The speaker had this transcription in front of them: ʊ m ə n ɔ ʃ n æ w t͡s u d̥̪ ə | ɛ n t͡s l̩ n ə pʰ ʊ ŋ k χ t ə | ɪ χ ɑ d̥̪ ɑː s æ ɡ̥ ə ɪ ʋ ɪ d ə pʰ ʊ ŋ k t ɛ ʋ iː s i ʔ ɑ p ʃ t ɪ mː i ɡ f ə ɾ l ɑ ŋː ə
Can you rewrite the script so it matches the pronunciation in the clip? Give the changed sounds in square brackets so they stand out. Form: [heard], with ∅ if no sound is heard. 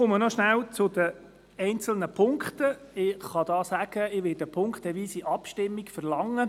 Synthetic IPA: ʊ m ə n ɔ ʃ n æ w t͡s [ʊ] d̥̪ ə | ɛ n t͡s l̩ n ə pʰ ʊ ŋ k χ t ə | ɪ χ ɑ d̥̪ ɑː s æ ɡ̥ ə ɪ ʋ ɪ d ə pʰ ʊ ŋ k t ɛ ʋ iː s i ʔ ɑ p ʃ t ɪ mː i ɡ f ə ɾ l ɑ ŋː ə